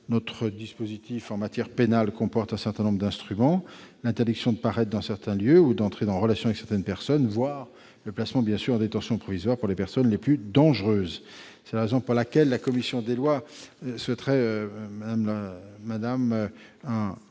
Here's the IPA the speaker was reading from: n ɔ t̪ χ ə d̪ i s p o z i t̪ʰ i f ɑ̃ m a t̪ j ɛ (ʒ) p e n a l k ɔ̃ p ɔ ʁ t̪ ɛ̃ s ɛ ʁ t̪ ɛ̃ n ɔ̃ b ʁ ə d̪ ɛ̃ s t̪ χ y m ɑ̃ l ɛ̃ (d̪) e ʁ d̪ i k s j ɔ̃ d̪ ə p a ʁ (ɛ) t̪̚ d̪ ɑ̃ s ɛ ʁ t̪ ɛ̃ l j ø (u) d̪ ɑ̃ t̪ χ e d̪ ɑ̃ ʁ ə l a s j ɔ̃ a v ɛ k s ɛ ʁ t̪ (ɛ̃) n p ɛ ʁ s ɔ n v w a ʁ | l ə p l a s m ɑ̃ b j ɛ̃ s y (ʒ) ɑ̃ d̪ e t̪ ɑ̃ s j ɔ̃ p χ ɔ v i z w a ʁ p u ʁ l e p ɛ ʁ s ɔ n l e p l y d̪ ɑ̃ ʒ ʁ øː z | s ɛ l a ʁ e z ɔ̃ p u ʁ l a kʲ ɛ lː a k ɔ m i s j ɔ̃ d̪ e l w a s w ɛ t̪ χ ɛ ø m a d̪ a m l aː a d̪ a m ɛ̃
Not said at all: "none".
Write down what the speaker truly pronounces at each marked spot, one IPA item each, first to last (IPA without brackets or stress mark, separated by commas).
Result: ʁ, t̪, ɛ, u, ɛ, ʁ